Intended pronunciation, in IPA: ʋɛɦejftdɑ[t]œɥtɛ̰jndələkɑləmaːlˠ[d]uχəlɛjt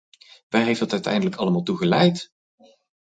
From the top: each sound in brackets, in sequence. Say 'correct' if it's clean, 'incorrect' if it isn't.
correct, incorrect: t

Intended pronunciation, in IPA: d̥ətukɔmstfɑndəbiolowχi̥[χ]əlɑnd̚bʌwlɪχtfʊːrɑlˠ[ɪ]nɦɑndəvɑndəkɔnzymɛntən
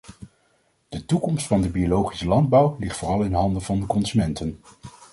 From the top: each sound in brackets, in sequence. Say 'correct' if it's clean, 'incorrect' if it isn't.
incorrect: s, correct

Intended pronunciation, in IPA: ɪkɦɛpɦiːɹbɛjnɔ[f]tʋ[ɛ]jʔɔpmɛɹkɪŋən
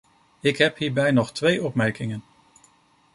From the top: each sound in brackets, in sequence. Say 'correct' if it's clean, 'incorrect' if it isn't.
incorrect: χ, incorrect: e

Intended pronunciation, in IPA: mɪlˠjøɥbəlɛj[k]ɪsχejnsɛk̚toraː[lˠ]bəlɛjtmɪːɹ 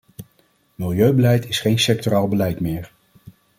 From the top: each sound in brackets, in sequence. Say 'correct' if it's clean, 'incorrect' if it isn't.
incorrect: t, correct

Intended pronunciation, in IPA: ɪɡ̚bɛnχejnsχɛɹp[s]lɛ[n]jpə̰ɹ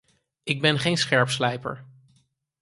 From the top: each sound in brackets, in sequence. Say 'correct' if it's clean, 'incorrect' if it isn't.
correct, incorrect: none

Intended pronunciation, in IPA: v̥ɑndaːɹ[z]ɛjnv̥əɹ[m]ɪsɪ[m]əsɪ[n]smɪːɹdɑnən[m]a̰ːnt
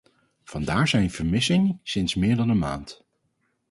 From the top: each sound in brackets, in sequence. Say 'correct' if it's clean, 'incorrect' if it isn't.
correct, correct, incorrect: ŋ, correct, correct

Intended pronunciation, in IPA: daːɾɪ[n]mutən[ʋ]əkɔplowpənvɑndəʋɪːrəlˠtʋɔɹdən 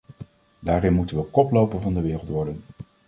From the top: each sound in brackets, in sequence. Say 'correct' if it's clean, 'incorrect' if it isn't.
correct, correct

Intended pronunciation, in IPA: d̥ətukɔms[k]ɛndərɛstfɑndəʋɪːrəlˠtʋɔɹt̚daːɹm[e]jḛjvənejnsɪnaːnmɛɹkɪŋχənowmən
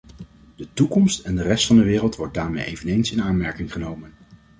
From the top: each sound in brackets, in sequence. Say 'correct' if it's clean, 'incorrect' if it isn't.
incorrect: t, correct

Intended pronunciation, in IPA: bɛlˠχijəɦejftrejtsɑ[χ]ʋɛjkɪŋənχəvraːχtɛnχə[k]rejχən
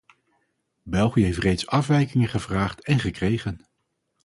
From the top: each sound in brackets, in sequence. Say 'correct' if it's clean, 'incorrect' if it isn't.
incorrect: f, correct

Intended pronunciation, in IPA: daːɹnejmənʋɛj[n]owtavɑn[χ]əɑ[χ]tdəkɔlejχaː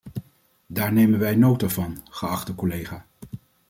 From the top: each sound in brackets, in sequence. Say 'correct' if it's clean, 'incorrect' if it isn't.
correct, correct, correct

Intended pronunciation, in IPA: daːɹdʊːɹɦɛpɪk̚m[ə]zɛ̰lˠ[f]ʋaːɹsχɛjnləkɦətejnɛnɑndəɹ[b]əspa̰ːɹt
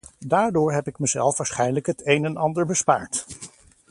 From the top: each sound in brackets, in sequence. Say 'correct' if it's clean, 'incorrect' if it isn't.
correct, correct, correct

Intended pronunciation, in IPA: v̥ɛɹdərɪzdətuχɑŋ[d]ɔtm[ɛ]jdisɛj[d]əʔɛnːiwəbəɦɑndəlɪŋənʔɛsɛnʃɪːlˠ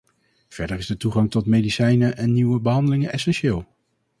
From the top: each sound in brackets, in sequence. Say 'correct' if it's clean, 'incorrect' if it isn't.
incorrect: t, incorrect: e, incorrect: n

